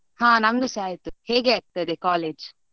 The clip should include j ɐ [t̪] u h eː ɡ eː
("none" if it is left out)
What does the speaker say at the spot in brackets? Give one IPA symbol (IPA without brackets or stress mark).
t̪